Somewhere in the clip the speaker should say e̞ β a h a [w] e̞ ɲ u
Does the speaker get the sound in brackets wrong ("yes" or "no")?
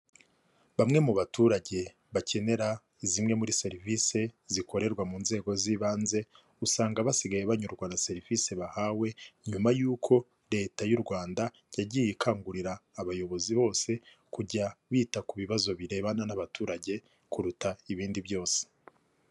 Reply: no